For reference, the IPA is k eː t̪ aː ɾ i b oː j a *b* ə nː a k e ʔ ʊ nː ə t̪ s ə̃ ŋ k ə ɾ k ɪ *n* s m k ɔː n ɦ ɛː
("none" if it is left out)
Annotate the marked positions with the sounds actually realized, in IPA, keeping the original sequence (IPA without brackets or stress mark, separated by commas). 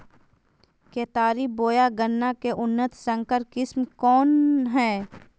ɡ, none